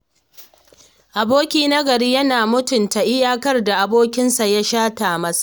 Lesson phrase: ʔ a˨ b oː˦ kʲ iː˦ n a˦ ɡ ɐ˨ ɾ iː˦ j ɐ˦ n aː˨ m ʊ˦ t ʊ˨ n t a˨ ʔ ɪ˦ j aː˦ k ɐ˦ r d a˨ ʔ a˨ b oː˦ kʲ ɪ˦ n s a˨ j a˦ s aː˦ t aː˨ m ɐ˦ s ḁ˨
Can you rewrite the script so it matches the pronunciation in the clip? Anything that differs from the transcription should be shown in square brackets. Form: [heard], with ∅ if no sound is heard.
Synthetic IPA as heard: ʔ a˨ b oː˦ kʲ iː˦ n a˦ ɡ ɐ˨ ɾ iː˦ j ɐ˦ n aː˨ m ʊ˦ t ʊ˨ n t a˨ ʔ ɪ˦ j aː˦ k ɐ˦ r d a˨ ʔ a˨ b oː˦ kʲ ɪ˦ n s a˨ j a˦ [ʃ] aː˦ t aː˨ m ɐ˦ s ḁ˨